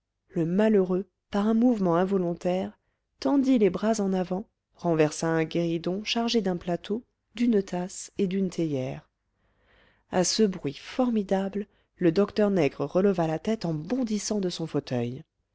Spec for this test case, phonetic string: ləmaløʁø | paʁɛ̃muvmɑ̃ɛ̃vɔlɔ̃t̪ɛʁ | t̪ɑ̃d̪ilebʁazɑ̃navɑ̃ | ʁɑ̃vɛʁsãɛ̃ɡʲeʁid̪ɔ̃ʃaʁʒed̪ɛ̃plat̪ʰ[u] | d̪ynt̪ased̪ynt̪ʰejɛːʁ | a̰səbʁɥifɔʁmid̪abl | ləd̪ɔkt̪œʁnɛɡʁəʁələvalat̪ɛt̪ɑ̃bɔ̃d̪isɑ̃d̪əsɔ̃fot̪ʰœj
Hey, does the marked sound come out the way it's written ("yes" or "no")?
no